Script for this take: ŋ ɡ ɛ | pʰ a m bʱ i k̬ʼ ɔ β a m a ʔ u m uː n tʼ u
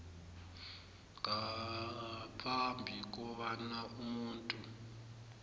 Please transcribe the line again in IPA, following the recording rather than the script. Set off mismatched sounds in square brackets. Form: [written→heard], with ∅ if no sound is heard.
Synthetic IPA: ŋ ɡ [ɛ→a] | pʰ a m bʱ i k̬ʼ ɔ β a [m→n] a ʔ u m uː n tʼ u